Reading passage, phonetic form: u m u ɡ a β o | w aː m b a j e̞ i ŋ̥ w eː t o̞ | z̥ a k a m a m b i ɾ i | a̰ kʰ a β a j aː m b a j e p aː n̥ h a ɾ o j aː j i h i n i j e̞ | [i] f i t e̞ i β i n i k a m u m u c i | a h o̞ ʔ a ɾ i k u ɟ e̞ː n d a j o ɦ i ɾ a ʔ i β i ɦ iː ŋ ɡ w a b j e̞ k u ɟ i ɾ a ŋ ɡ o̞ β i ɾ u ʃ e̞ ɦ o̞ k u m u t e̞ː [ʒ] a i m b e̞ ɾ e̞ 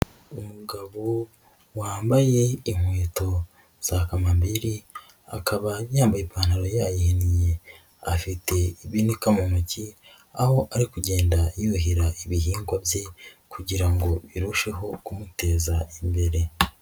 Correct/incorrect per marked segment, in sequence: incorrect, incorrect

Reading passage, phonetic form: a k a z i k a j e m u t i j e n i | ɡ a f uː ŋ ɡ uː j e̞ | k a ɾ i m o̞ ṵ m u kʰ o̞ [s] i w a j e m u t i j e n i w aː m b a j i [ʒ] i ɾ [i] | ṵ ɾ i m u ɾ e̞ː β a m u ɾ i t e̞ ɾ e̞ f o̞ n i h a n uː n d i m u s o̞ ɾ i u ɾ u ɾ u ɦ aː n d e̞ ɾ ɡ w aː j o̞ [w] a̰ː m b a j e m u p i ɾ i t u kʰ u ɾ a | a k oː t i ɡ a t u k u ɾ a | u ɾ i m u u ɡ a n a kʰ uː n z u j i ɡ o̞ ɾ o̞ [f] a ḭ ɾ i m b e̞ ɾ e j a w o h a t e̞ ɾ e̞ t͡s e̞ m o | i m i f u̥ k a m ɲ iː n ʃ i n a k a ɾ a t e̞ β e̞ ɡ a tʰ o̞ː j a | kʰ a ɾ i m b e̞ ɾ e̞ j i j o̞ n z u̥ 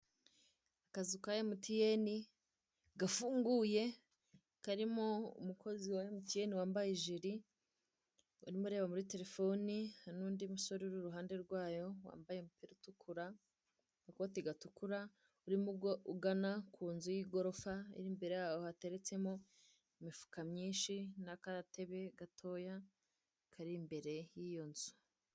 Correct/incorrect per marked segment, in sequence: incorrect, correct, correct, correct, correct

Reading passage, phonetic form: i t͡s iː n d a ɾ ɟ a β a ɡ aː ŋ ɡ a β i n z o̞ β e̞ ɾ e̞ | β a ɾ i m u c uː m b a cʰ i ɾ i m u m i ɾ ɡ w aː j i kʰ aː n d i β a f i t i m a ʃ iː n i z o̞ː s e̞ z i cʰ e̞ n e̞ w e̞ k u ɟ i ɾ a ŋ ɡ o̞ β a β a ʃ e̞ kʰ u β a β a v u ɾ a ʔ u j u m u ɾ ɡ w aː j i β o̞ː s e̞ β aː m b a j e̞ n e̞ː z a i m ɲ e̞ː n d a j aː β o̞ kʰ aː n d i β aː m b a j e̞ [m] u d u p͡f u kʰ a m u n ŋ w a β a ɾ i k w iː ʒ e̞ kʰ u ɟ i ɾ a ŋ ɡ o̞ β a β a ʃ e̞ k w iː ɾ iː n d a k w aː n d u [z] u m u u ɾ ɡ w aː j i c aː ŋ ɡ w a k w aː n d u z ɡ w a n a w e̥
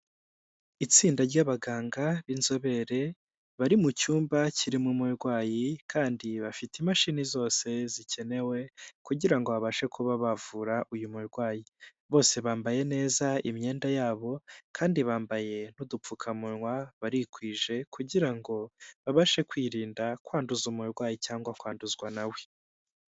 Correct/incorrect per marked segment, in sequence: incorrect, correct

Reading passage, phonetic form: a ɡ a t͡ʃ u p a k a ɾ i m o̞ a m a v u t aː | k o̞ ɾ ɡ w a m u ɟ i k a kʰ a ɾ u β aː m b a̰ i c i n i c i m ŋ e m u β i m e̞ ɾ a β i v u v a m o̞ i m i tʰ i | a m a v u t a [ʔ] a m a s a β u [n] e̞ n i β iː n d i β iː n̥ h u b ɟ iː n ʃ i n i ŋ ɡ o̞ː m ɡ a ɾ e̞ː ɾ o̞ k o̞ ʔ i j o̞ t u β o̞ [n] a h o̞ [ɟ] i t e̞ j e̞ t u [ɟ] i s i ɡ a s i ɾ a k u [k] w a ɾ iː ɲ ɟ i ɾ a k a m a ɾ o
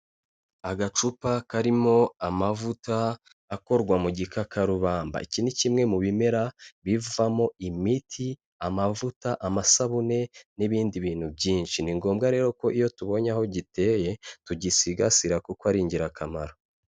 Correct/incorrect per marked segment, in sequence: correct, correct, incorrect, correct, correct, correct

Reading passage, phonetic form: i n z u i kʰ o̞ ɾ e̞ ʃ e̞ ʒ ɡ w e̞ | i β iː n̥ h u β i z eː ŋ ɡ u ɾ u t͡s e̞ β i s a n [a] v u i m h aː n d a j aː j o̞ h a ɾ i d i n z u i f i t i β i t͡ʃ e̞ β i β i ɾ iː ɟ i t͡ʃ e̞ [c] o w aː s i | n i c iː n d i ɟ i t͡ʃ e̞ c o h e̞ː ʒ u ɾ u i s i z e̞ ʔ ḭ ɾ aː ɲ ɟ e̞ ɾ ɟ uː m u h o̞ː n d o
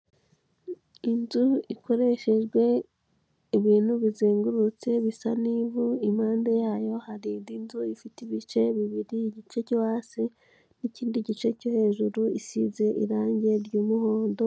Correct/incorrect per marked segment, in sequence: incorrect, correct

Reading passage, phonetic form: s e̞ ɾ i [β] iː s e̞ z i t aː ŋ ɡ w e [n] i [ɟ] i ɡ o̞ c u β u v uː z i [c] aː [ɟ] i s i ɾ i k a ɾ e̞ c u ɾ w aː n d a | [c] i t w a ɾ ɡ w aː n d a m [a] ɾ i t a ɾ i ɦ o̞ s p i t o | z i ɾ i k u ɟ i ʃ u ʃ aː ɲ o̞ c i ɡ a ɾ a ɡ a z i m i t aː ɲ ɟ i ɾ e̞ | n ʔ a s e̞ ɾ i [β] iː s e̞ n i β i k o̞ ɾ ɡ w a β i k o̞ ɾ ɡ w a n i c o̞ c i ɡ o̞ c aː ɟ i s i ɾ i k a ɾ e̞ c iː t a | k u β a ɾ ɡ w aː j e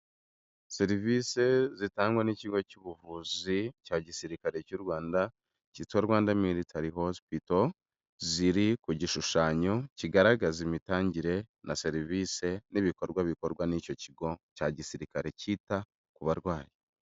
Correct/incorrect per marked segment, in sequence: incorrect, correct, incorrect, correct, correct, correct, incorrect, incorrect

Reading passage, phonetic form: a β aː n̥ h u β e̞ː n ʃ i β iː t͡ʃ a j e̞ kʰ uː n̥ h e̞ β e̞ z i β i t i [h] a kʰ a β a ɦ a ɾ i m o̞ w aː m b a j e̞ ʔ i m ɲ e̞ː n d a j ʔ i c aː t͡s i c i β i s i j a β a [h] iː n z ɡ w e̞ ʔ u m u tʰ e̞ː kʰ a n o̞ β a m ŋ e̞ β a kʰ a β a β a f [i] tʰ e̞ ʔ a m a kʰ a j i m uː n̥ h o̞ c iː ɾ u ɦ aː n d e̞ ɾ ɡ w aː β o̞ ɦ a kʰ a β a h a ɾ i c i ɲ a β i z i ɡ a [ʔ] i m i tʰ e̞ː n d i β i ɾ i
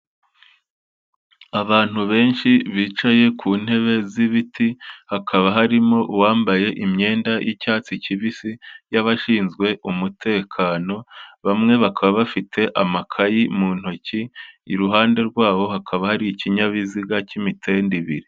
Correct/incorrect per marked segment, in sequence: correct, incorrect, correct, incorrect

